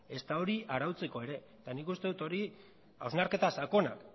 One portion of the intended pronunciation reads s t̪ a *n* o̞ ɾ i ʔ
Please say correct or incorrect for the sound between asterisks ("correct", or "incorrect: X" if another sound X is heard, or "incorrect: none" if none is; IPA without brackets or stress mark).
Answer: incorrect: none